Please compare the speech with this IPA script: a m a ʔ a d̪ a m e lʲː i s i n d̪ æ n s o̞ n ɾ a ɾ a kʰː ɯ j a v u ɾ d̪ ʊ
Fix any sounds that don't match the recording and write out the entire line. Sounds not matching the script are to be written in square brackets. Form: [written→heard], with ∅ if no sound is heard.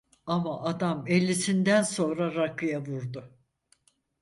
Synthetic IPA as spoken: a m a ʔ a d̪ a m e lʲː i s i n d̪ æ n s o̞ n ɾ a ɾ a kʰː ɯ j a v u ɾ d̪ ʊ